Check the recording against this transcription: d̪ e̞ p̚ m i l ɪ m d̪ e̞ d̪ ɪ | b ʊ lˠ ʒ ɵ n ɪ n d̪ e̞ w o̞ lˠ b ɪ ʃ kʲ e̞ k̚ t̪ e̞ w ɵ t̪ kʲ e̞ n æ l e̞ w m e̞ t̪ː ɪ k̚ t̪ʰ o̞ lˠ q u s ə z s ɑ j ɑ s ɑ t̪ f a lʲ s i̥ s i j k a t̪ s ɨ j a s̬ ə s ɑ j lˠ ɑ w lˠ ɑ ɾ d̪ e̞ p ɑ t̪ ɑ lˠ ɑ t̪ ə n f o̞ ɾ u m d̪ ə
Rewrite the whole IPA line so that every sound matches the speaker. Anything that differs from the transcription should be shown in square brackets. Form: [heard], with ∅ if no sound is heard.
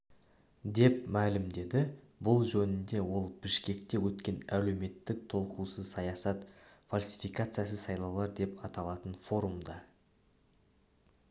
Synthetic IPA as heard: d̪ e̞ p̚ m [æ] l ɪ m d̪ e̞ d̪ ɪ | b ʊ lˠ ʒ ɵ n ɪ n d̪ e̞ w o̞ lˠ b ɪ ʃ kʲ e̞ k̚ t̪ e̞ w ɵ t̪ kʲ e̞ n æ l e̞ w m e̞ t̪ː ɪ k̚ t̪ʰ o̞ lˠ q u s ə z s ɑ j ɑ s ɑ t̪ f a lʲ s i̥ [f] i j k a t̪ s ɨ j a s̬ ə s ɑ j lˠ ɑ w lˠ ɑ ɾ d̪ e̞ p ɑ t̪ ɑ lˠ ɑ t̪ ə n f o̞ ɾ u m d̪ [ɑ]